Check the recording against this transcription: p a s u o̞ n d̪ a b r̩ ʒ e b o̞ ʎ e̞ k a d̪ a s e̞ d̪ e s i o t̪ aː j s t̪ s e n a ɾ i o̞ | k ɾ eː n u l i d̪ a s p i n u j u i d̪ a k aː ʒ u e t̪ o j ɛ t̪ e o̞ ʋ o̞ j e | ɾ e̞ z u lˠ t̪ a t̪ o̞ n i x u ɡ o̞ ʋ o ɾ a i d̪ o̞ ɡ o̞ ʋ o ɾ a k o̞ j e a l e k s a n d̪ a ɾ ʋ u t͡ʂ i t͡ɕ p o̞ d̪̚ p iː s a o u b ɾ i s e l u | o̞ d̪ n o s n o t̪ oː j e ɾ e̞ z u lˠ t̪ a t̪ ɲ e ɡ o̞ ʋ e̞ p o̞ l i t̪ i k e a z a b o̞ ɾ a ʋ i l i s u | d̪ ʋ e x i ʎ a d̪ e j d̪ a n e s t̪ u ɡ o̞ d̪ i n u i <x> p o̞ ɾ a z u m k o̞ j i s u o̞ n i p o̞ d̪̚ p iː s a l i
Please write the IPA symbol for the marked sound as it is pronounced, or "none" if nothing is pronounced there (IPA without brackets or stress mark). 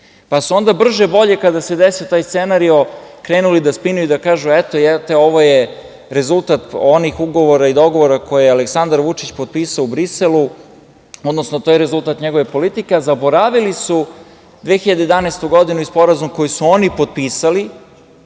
s